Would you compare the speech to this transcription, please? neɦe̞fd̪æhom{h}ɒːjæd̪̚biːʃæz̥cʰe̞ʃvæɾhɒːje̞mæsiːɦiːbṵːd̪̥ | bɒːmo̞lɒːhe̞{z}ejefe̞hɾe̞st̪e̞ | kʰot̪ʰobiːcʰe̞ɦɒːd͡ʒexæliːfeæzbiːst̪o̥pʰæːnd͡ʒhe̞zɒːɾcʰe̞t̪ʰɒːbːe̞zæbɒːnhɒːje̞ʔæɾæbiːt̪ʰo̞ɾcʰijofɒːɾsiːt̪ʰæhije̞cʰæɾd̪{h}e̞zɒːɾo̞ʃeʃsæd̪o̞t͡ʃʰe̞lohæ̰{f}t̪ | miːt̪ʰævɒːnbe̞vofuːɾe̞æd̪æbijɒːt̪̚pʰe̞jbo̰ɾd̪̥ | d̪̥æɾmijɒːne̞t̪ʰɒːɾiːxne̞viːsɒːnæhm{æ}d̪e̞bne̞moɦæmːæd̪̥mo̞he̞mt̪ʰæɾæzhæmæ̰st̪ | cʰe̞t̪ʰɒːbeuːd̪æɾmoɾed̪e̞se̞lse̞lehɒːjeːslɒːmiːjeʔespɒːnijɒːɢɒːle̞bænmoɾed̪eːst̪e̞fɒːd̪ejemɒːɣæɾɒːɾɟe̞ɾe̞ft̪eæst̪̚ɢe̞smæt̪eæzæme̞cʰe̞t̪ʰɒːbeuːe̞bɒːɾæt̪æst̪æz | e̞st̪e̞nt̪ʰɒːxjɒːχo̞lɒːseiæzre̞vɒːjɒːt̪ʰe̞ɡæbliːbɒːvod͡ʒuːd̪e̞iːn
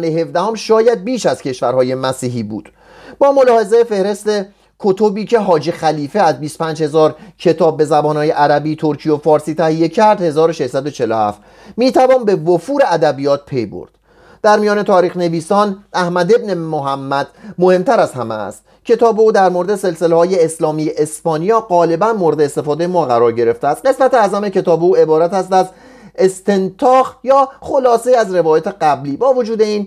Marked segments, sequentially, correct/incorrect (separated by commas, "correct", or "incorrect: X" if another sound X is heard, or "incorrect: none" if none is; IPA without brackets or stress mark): incorrect: ʃ, correct, correct, correct, correct